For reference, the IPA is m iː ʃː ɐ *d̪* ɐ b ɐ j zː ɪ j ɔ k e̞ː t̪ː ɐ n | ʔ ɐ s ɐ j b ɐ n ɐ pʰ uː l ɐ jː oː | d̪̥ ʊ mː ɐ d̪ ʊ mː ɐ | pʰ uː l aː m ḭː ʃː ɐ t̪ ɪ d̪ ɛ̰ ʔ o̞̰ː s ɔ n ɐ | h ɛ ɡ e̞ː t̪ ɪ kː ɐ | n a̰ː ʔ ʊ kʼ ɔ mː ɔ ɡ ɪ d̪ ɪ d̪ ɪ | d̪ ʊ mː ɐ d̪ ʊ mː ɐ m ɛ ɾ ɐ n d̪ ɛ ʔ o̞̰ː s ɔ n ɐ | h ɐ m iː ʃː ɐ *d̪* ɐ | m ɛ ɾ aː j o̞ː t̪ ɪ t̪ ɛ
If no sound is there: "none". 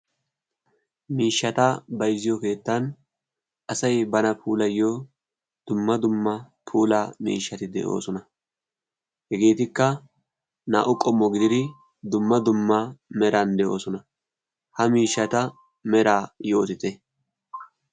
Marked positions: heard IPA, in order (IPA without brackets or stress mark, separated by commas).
t̪, t̪